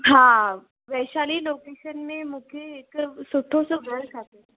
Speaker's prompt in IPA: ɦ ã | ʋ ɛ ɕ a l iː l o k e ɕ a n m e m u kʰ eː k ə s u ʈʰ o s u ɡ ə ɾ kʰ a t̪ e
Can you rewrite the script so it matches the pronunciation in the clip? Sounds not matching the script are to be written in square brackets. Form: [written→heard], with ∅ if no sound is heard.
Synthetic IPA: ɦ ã | ʋ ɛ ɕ a l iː l o k e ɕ [a→ə] n m e m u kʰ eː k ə s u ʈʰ o s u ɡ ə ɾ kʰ a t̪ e